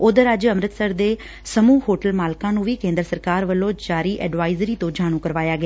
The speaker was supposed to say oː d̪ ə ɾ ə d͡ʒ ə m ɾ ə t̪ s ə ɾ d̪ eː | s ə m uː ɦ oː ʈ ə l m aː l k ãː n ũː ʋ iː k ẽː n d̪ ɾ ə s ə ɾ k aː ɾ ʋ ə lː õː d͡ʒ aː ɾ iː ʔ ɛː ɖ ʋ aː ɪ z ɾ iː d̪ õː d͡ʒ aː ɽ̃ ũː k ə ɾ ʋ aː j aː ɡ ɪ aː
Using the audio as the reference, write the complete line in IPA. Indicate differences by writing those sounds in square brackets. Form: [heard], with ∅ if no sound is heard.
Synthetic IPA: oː d̪ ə ɾ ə d͡ʒ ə m ɾ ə t̪ s ə ɾ d̪ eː | s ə m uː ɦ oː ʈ ə l m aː l k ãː n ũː ʋ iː k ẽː n d̪ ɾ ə s ə ɾ k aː ɾ ʋ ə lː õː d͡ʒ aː ɾ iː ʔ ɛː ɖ ʋ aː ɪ z ɾ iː [t̪] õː d͡ʒ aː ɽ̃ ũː k ə ɾ ʋ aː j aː ɡ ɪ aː